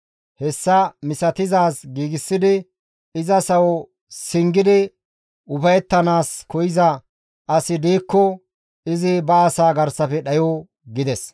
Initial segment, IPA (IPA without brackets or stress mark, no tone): h